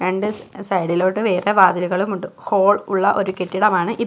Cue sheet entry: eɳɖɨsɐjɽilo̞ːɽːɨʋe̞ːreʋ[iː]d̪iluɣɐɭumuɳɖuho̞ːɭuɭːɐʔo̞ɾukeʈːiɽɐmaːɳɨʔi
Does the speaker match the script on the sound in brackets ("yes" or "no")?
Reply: no